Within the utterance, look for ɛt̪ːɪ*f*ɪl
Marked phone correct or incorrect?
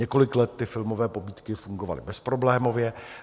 correct